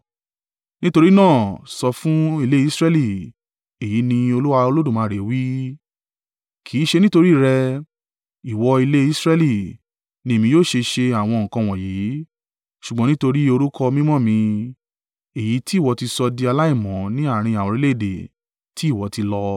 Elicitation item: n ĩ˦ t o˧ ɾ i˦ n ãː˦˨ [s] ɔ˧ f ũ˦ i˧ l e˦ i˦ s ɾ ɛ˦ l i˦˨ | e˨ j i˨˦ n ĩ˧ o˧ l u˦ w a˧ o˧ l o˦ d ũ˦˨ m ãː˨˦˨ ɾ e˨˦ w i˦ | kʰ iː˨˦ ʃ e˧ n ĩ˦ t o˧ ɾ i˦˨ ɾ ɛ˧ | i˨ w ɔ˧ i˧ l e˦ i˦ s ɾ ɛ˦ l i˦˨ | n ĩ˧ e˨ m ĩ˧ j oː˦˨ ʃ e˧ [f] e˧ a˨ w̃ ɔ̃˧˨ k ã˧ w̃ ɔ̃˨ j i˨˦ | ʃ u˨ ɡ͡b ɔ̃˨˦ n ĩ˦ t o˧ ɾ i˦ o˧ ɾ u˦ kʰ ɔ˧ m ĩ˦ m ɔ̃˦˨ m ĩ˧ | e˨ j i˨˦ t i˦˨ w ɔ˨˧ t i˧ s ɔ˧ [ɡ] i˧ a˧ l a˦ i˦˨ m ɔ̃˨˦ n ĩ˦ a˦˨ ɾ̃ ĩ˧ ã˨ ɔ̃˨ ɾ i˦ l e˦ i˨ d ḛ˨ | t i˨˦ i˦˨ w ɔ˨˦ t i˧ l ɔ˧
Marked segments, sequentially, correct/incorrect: correct, incorrect, incorrect

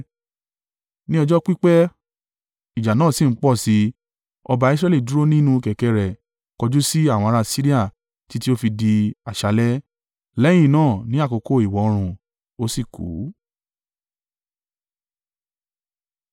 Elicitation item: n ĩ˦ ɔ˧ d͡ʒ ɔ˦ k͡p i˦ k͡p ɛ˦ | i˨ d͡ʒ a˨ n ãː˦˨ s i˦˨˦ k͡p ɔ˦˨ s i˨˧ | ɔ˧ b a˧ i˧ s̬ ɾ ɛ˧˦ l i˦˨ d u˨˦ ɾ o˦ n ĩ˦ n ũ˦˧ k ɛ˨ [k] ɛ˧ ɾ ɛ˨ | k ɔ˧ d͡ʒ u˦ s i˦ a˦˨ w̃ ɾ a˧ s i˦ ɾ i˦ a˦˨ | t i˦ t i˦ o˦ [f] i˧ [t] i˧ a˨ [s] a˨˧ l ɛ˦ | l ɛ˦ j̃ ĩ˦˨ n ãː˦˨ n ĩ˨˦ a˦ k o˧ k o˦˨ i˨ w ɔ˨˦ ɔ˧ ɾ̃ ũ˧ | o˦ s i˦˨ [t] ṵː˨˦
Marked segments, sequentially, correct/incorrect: correct, correct, incorrect, incorrect, incorrect

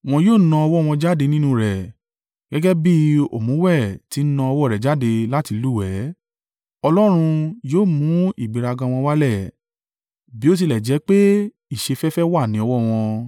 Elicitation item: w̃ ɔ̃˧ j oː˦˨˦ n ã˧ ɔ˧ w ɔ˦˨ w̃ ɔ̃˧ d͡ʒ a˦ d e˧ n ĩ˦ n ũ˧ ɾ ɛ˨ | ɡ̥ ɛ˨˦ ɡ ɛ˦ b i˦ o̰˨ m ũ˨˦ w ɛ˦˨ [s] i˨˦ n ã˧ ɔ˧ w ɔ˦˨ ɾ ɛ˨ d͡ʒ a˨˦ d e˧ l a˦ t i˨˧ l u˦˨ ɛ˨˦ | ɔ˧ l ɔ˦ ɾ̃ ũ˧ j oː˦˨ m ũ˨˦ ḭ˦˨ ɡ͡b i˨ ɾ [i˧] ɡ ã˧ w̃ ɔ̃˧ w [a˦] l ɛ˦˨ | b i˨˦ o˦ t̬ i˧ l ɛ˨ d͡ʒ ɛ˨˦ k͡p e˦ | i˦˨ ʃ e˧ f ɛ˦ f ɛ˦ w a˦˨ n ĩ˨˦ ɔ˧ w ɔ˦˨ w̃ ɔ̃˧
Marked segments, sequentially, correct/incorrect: incorrect, incorrect, correct

